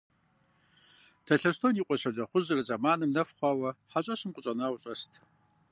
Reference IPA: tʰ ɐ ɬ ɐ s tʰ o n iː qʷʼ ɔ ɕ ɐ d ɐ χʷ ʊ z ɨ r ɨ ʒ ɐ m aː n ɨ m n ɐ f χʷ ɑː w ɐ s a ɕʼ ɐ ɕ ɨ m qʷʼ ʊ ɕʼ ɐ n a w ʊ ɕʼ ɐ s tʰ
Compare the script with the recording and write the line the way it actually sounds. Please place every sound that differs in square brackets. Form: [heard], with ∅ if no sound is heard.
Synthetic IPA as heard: tʰ ɐ ɬ ɐ s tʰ o n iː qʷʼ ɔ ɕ ɐ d ɐ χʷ ʊ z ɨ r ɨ [z] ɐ m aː n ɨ m n ɐ f χʷ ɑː w ɐ [ħ] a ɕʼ ɐ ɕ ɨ m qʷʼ ʊ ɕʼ ɐ n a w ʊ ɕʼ ɐ s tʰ